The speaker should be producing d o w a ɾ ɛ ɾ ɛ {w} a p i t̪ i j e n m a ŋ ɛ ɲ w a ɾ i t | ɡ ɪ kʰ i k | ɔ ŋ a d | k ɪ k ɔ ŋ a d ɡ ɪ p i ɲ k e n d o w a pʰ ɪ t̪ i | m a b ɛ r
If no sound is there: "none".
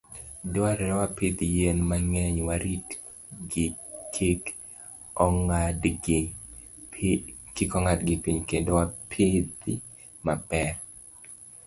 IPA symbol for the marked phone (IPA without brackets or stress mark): w